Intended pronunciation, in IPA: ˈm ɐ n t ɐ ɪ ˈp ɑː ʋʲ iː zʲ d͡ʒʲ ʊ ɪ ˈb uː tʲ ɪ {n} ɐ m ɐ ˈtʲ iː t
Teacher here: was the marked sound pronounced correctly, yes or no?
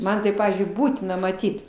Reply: yes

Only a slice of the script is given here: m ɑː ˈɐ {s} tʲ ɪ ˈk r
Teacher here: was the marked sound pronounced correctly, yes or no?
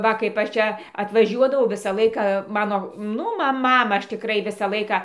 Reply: no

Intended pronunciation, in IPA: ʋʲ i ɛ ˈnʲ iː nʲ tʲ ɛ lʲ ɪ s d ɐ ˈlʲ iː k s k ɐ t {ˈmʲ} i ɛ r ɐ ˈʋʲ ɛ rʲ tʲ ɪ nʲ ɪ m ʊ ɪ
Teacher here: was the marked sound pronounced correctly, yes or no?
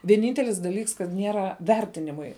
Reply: no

